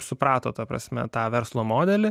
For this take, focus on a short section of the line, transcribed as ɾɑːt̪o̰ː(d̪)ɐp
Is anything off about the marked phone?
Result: yes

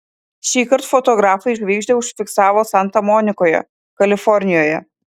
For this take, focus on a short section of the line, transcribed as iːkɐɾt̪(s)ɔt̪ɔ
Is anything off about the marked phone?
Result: yes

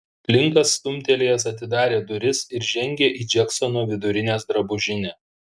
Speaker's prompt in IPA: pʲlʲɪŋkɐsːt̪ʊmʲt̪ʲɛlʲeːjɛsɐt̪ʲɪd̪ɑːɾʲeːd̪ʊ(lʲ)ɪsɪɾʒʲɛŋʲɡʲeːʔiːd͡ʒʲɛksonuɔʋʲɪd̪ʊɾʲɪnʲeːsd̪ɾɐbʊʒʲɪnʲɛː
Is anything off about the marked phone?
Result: yes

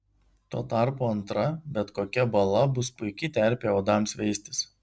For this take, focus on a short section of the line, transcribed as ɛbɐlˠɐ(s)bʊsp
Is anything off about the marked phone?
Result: yes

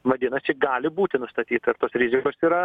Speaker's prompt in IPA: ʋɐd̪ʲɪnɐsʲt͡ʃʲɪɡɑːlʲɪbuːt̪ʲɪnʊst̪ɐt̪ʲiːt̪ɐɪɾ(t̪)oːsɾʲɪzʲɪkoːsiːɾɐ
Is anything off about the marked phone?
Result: no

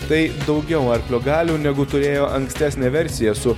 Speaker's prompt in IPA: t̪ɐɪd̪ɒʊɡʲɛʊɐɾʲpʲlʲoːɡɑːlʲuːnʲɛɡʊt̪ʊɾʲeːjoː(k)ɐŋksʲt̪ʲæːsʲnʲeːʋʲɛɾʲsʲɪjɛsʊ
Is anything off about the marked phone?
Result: yes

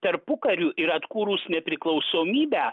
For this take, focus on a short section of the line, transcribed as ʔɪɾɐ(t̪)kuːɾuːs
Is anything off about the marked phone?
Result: no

